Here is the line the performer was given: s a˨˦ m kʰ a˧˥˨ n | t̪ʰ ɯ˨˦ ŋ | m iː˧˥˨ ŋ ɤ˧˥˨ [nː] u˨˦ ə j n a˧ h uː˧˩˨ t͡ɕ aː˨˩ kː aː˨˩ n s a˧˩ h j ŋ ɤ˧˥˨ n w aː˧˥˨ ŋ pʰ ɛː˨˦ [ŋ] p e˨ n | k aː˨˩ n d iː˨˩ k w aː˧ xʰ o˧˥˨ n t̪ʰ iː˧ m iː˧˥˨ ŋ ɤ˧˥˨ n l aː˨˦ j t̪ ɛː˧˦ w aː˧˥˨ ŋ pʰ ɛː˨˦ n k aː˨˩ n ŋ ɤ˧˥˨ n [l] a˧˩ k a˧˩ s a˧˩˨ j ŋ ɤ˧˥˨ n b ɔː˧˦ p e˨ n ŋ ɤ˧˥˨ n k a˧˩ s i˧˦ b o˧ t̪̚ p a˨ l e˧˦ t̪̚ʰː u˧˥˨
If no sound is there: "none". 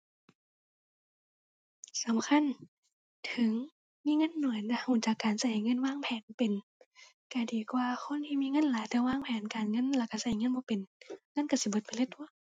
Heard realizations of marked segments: nː, n, l

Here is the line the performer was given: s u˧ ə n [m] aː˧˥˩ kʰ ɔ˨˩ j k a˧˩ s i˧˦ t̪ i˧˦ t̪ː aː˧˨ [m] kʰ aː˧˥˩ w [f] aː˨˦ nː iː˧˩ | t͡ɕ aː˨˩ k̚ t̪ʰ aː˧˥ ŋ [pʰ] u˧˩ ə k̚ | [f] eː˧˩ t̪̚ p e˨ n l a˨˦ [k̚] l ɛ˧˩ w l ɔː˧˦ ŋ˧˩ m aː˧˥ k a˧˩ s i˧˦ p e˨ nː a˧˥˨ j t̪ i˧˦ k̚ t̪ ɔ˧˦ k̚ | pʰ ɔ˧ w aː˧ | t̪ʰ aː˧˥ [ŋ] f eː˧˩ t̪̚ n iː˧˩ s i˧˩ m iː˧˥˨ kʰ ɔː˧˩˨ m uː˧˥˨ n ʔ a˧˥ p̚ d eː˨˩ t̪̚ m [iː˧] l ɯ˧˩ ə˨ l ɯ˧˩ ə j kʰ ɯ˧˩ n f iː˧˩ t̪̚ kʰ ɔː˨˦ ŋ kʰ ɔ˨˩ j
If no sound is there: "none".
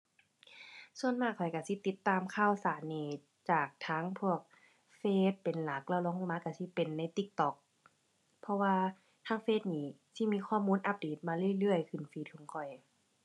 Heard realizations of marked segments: m, m, s, pʰ, f, k̚, ŋ, aː˧

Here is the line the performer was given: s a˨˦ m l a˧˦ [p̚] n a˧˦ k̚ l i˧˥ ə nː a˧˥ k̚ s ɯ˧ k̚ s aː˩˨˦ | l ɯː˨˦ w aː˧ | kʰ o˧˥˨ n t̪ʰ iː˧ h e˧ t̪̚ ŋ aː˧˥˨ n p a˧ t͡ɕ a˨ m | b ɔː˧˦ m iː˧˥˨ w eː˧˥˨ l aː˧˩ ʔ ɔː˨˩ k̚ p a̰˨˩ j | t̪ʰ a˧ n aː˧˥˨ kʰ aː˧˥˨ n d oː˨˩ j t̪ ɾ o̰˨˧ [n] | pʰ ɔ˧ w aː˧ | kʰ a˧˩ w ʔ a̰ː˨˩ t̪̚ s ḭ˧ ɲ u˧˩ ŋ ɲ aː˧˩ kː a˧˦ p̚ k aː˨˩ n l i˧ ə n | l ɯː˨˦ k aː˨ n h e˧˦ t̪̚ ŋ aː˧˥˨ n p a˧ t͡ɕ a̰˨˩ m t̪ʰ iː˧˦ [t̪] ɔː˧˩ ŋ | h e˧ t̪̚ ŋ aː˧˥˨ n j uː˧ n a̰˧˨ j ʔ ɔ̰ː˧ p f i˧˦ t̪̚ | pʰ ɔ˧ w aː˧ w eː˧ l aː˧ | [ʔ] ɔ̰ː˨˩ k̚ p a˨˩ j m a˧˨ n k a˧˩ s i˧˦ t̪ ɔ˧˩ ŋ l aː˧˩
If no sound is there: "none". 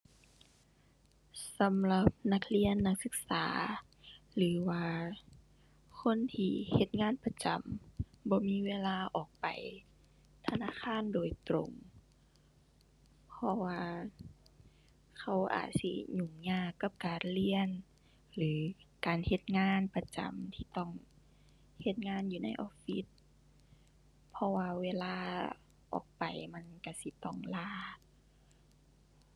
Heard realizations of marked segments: p̚, ŋ, t̪, ʔ

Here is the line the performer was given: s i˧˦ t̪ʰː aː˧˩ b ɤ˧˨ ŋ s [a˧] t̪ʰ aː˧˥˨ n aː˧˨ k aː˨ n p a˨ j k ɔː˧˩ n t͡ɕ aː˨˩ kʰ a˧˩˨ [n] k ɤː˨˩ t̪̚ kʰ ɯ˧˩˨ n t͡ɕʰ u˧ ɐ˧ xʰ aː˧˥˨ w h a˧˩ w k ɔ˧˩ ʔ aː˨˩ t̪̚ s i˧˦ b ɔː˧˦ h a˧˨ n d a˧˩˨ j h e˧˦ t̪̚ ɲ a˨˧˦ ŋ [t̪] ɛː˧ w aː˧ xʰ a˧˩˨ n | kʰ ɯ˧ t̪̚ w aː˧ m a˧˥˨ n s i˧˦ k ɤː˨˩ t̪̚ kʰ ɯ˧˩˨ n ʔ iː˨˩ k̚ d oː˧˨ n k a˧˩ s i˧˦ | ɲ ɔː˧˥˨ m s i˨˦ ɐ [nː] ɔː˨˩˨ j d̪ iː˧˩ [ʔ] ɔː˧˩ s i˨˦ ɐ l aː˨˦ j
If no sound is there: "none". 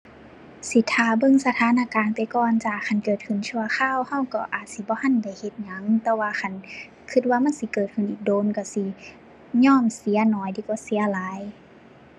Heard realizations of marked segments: a˧, n, t̪, n, k

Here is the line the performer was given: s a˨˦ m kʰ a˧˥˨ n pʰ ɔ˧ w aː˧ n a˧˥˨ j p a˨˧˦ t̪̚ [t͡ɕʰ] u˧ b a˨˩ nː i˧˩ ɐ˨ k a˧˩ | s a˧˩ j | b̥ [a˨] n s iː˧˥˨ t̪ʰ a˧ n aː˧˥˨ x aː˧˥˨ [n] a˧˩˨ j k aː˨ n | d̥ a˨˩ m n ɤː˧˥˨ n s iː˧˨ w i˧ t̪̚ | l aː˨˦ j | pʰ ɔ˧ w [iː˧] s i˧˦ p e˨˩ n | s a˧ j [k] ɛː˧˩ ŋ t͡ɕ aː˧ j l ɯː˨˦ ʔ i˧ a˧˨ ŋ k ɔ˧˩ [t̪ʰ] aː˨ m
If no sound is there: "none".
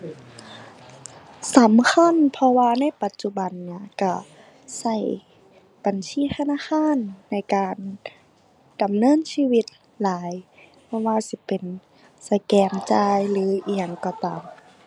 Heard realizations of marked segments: t͡ɕ, a˨, nː, aː˧, k, t̪

